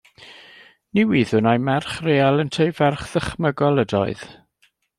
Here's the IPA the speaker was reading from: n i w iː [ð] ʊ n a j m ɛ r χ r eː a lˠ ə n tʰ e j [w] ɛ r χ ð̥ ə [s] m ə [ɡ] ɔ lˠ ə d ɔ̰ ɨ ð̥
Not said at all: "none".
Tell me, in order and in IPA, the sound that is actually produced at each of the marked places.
ð, v, χ, ɡ

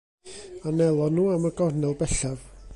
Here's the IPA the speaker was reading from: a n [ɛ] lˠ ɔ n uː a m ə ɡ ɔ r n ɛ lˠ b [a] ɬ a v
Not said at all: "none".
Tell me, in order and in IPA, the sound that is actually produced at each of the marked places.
ɛ, ɛ

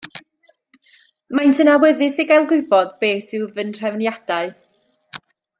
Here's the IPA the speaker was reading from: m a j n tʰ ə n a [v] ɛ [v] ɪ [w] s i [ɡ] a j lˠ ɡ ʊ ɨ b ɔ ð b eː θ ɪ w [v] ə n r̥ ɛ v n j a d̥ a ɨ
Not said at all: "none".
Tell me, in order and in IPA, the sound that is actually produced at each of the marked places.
w, ð, none, ɡ, v

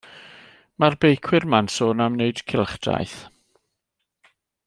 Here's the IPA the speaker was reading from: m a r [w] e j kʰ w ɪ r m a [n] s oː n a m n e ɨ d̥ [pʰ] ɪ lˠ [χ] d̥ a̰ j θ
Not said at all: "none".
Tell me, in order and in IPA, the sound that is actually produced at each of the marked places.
b, n, kʰ, χ

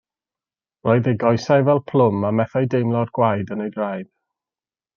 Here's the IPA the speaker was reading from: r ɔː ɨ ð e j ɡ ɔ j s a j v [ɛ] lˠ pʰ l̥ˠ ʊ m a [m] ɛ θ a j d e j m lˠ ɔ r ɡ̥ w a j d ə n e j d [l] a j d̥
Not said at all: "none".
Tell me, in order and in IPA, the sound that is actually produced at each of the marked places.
ɛ, m, r

